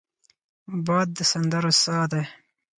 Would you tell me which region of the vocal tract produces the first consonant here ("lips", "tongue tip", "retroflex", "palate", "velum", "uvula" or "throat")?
lips